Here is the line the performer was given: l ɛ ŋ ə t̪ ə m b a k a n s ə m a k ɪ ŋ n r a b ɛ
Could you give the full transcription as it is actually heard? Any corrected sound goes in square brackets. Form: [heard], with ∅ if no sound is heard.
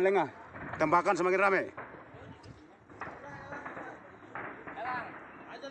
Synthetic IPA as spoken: l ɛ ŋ [a] t̪ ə m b a k a n s ə m a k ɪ [∅] n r a [m] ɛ